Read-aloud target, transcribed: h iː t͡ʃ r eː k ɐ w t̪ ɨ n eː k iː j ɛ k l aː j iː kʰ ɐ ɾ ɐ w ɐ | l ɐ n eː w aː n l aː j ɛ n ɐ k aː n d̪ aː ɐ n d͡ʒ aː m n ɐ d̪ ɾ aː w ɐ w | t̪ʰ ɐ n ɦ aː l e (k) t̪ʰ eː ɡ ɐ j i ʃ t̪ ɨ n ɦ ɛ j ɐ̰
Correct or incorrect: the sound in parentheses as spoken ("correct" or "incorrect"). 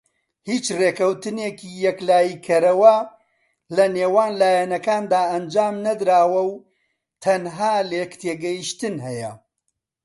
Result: correct